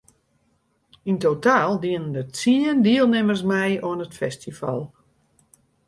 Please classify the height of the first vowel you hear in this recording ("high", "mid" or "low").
high